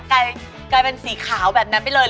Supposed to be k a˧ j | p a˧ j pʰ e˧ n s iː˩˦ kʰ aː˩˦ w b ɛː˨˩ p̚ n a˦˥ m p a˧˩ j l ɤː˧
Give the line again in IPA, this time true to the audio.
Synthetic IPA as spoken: k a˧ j | k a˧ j p e˧ n s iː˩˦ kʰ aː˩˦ w b ɛː˨˩ p̚ n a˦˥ n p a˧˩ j l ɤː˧